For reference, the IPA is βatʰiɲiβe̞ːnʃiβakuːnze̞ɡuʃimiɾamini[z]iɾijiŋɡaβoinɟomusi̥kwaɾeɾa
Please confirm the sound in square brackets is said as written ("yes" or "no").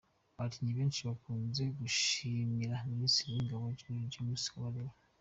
no